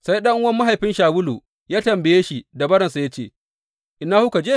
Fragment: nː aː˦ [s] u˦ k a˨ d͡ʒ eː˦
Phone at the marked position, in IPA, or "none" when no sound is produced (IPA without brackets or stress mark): h